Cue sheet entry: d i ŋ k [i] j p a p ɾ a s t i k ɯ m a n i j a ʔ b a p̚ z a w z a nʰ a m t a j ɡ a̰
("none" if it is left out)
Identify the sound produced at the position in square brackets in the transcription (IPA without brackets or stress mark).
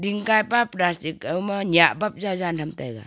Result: a